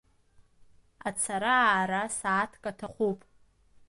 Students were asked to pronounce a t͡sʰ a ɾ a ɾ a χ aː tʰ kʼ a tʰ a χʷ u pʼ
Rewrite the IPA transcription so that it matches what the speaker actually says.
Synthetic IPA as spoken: a t͡sʰ a ɾ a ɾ a s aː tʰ kʼ a tʰ a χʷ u pʼ